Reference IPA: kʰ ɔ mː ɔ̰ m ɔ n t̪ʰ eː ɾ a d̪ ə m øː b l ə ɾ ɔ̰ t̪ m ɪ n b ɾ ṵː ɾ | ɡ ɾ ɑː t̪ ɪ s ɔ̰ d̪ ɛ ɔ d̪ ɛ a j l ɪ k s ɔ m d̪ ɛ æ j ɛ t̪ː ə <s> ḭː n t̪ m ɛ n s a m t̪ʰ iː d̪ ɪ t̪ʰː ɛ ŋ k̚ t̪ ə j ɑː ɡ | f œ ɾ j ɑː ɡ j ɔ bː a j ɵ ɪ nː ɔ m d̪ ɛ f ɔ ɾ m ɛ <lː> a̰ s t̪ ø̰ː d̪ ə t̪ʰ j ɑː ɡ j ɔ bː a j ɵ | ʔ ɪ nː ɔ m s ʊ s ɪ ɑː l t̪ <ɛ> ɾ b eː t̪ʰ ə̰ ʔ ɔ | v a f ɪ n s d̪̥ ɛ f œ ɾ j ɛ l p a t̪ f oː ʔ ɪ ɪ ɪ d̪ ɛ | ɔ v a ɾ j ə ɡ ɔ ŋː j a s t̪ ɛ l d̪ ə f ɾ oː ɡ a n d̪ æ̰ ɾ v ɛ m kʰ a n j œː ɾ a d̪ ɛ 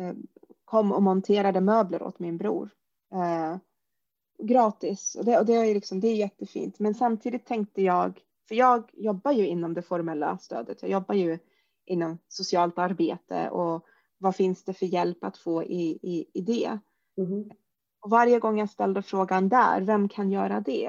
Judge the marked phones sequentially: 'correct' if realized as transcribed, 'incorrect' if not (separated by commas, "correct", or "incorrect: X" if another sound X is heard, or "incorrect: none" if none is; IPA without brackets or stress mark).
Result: incorrect: f, correct, incorrect: a